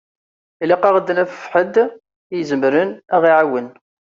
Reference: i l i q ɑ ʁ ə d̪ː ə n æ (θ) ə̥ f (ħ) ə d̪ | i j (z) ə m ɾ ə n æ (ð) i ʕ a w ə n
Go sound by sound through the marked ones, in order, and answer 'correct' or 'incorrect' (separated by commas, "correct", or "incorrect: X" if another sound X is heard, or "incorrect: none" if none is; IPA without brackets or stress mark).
incorrect: f, correct, correct, incorrect: ʁ